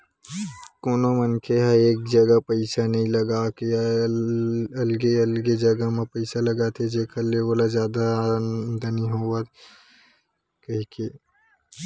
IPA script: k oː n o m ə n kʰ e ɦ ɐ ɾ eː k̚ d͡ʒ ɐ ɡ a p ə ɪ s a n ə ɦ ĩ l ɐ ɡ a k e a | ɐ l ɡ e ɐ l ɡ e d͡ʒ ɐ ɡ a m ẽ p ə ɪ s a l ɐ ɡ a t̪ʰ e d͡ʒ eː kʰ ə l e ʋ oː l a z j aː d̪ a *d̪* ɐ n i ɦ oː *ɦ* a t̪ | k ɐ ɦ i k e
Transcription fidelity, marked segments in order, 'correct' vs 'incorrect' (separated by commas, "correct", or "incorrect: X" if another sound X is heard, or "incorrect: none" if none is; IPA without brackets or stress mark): correct, incorrect: none